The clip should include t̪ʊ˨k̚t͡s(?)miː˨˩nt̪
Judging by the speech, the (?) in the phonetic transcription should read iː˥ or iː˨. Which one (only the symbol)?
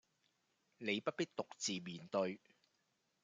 iː˨